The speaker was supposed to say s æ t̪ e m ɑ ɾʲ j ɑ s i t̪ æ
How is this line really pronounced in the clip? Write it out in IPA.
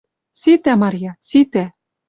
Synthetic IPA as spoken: s i t̪ æ m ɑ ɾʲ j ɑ s i t̪ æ